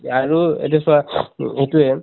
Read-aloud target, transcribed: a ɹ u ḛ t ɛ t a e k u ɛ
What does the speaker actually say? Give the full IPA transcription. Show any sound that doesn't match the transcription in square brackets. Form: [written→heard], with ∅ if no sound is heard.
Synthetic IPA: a ɹ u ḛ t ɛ [t→s] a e [k→t] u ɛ